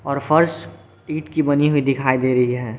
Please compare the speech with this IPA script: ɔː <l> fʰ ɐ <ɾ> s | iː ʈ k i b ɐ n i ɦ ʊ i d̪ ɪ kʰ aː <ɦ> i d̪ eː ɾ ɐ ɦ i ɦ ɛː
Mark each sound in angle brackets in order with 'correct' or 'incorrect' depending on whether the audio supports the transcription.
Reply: incorrect: ɾ, correct, incorrect: none

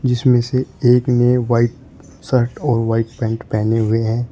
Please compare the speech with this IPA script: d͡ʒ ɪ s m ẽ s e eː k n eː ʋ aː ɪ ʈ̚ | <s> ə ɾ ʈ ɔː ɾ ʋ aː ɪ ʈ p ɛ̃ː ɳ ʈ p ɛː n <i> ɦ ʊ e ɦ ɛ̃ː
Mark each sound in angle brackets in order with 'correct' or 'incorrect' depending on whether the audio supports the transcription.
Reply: correct, incorrect: e

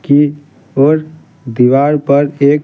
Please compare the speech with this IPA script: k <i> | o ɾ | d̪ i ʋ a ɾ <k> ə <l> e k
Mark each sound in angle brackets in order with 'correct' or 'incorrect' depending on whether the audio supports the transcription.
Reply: correct, incorrect: p, incorrect: ɾ

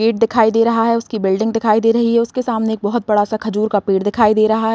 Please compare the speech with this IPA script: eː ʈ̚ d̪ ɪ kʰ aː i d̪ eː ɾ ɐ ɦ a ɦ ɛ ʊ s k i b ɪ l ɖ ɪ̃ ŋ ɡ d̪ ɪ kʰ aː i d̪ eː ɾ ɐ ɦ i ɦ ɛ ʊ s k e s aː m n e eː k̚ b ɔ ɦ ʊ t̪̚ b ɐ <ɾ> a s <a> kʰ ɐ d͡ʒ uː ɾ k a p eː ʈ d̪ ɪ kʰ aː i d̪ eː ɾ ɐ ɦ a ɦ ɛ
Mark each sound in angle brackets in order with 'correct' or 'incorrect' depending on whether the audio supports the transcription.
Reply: incorrect: ɽ, correct

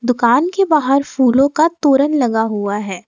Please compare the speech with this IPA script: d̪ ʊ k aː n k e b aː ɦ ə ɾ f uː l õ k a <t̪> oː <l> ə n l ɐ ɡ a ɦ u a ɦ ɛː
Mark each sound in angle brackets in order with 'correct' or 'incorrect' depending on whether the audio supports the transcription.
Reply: correct, incorrect: ɾ

